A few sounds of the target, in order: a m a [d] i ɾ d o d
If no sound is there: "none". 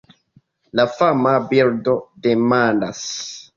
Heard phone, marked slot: b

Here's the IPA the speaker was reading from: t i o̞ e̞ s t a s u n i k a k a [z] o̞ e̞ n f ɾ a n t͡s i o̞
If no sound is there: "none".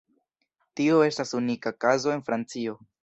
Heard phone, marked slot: z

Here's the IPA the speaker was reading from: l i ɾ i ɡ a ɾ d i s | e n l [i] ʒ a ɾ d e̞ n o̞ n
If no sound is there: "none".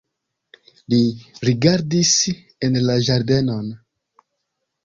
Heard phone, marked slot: a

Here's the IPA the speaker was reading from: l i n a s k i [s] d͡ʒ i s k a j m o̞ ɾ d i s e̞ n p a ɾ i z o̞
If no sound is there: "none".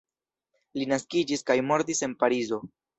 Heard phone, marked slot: none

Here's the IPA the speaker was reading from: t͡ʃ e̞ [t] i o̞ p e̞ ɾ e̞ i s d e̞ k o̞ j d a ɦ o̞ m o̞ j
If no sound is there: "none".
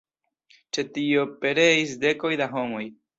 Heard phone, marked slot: t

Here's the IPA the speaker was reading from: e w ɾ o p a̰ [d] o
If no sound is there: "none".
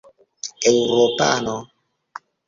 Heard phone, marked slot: n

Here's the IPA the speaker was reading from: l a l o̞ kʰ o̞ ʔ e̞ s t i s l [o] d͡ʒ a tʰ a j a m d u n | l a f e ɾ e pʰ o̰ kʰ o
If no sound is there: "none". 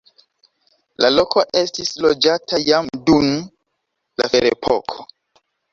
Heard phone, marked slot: o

